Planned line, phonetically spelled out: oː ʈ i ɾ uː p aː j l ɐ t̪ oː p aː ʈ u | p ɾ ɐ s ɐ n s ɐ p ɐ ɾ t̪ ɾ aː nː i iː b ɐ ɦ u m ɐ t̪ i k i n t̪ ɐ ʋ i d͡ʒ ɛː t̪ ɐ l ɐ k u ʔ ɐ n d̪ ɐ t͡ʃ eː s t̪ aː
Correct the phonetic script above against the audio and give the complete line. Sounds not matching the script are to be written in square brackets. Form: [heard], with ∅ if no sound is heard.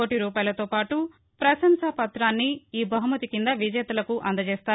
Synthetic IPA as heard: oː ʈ i ɾ uː p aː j l ɐ t̪ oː p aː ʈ u | p ɾ ɐ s ɐ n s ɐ p ɐ [∅] t̪ ɾ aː nː i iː b ɐ ɦ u m ɐ t̪ i k i n [d̪] ɐ ʋ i d͡ʒ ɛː t̪ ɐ l ɐ k u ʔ ɐ n d̪ ɐ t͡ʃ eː s t̪ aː